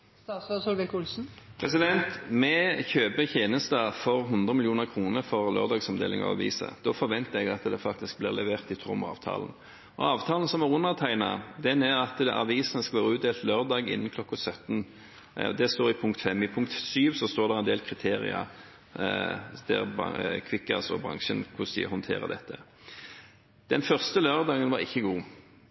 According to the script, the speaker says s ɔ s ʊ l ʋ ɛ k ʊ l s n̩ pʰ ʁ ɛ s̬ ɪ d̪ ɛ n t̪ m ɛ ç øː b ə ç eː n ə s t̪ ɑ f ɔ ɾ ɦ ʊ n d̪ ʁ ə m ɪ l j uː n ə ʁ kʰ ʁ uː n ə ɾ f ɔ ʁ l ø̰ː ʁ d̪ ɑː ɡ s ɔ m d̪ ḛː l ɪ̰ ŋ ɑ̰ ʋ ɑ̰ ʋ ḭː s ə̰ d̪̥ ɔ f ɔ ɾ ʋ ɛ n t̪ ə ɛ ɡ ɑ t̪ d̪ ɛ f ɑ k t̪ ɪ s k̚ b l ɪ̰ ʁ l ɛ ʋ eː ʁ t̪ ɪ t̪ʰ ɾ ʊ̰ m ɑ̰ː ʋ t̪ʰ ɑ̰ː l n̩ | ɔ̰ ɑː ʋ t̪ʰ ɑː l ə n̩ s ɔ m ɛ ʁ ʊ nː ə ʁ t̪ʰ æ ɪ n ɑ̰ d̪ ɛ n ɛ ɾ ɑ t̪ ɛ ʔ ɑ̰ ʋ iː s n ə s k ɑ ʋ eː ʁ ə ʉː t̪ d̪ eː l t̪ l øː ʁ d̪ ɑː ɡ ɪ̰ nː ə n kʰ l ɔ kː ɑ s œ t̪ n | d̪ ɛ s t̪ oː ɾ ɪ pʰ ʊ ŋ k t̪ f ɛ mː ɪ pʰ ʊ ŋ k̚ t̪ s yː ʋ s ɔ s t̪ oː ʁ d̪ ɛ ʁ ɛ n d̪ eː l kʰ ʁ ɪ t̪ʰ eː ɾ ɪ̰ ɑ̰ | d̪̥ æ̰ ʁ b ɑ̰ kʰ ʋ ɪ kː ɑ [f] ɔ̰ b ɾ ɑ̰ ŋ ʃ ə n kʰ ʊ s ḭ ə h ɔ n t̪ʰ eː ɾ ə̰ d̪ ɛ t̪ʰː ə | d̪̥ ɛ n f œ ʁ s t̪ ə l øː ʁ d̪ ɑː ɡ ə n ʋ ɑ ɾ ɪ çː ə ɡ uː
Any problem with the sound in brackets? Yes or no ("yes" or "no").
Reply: yes